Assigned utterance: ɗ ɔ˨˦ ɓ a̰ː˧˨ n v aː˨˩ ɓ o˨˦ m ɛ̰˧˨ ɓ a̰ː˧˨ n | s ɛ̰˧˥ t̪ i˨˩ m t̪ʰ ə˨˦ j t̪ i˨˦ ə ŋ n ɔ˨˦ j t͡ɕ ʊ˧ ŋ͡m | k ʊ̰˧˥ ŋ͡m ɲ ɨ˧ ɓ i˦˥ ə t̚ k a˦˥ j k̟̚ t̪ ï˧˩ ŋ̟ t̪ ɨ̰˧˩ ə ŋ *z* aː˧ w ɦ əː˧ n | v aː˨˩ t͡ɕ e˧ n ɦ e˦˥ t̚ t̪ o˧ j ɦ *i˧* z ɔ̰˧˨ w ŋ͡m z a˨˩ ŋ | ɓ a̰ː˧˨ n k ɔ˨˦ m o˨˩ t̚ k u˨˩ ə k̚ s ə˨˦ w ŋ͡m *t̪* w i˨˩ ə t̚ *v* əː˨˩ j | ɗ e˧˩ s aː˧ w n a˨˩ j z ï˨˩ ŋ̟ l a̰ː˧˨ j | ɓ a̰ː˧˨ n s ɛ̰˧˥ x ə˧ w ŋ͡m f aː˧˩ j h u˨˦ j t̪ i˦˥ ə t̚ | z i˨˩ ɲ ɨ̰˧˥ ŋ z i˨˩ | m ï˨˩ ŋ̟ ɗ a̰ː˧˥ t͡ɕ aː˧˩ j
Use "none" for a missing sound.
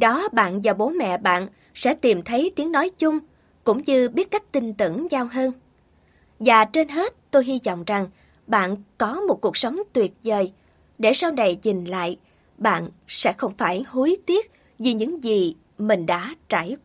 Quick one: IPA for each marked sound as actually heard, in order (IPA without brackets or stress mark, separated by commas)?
z, i˧, t̪, z